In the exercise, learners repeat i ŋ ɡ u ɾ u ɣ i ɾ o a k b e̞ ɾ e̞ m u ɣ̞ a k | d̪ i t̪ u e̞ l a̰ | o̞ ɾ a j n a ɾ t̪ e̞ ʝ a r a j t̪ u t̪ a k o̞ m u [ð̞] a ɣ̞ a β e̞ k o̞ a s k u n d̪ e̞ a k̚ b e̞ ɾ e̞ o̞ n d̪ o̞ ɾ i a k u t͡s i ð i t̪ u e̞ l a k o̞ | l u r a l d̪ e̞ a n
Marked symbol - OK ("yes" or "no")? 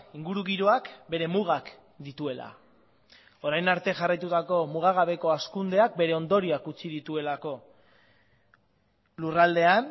no